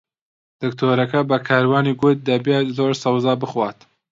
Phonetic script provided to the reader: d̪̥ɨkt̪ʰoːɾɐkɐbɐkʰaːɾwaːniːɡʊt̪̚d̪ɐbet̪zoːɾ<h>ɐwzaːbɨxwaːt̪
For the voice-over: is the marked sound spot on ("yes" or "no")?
no